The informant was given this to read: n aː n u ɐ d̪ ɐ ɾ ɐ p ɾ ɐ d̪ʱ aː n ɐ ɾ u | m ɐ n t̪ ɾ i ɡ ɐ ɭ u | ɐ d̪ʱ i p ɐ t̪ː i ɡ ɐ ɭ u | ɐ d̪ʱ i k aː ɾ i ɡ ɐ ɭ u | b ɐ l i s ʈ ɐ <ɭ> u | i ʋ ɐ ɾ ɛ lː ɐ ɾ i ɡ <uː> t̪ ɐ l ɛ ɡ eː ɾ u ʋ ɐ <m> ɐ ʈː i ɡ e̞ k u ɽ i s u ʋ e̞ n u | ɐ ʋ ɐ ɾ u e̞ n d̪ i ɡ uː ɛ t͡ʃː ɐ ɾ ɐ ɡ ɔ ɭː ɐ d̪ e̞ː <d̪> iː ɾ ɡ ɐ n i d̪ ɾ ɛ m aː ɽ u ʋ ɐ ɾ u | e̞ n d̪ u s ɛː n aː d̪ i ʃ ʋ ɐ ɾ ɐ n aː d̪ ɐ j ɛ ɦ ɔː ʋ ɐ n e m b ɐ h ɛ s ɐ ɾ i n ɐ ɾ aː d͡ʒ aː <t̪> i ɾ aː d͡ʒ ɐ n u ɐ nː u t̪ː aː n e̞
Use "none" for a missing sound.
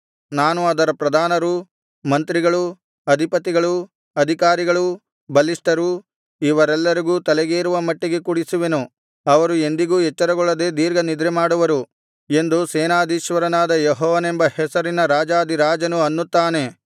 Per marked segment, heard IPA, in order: ɾ, uː, m, d̪, d̪

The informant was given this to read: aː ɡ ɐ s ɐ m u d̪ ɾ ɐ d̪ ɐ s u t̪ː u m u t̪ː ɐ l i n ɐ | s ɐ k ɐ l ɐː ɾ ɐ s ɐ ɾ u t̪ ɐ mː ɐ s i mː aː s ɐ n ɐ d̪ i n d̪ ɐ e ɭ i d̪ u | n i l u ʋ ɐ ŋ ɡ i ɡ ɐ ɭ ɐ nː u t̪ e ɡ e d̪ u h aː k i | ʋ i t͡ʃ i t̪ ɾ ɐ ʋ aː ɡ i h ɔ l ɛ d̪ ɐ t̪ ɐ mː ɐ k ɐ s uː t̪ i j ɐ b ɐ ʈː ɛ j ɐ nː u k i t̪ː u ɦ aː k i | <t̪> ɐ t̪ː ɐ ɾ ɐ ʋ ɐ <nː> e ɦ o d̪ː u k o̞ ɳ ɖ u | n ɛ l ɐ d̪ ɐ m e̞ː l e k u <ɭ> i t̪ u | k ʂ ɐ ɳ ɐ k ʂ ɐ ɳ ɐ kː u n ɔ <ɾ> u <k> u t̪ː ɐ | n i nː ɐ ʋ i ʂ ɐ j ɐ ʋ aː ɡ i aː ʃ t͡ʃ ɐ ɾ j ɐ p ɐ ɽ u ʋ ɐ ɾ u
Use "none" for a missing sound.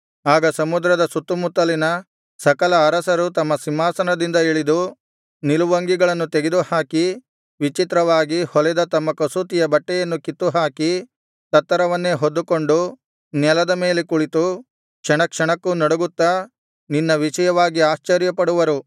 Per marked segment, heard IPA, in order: t̪, nː, ɭ, ɽ, ɡ

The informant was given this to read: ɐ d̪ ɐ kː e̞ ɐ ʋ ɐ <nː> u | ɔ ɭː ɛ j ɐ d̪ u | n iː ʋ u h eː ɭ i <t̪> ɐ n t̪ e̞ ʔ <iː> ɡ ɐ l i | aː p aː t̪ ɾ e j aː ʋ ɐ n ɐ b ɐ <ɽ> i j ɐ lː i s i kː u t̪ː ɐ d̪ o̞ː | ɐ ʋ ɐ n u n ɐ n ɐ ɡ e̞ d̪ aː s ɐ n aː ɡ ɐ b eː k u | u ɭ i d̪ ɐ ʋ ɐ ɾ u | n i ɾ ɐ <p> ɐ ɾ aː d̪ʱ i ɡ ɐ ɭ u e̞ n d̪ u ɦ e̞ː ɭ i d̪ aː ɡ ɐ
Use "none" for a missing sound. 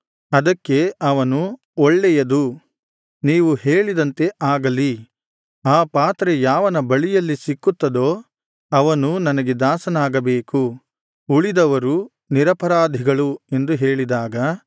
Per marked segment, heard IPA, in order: n, d̪, aː, ɭ, p

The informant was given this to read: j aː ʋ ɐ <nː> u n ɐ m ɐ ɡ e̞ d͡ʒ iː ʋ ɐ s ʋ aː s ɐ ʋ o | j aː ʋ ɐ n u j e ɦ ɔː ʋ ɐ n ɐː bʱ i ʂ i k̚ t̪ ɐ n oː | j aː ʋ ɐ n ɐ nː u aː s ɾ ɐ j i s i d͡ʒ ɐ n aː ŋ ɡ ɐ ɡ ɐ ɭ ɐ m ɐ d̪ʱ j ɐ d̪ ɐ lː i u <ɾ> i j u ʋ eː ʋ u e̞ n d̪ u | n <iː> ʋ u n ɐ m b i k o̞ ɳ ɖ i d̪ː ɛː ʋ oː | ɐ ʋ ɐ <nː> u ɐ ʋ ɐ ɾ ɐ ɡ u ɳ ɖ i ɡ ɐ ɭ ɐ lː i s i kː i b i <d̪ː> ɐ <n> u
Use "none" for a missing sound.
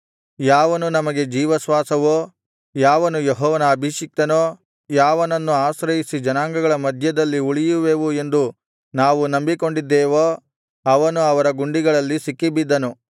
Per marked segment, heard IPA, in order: n, ɭ, aː, n, d̪ː, n

